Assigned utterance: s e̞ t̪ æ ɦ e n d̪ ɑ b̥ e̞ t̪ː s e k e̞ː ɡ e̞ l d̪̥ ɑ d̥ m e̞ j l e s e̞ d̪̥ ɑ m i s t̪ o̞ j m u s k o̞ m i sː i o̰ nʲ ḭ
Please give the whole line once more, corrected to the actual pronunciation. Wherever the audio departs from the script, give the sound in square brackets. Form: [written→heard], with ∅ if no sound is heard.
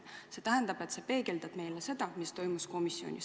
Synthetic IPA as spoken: s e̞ t̪ æ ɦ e n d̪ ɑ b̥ e̞ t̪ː s e [k→p] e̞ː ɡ e̞ l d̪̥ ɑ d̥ m e̞ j l e s e̞ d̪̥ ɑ m i s t̪ o̞ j m u s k o̞ m i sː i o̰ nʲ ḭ